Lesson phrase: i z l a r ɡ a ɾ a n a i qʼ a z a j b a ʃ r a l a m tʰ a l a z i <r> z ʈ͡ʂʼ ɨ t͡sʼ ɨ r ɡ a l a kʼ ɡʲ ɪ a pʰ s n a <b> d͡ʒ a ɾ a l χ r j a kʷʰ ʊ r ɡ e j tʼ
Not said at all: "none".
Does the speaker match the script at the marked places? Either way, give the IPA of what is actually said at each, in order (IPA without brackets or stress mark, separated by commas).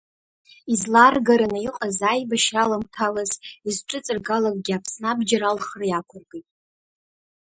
none, b